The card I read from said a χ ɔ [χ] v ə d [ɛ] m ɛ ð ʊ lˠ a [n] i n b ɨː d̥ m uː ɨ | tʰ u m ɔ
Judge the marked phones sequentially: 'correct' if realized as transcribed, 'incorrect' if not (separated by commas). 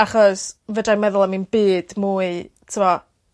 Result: incorrect, incorrect, incorrect